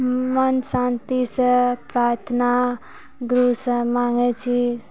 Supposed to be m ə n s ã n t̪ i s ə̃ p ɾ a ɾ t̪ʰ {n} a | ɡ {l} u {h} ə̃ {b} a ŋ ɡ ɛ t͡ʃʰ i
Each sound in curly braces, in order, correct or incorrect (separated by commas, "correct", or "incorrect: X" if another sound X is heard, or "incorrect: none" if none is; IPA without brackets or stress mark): correct, incorrect: ɾ, incorrect: s, incorrect: m